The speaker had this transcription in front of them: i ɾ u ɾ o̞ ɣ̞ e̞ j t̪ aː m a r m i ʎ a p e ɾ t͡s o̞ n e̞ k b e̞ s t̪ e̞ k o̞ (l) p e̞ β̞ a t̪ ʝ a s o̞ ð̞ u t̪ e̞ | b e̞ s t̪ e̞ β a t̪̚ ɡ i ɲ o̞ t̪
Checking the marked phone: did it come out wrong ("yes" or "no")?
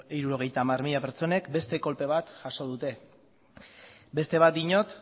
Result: no